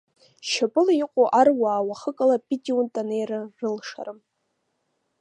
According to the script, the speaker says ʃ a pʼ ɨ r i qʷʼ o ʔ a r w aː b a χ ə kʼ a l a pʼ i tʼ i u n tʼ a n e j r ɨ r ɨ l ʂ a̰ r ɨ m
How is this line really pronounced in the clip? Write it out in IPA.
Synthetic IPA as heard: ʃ a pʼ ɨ l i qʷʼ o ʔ a r w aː w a χ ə kʼ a l a pʼ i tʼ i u n tʼ a n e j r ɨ r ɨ l ʂ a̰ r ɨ m